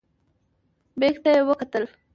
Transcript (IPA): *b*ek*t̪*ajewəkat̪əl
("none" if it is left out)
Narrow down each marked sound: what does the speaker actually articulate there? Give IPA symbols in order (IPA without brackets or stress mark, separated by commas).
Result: b, t̪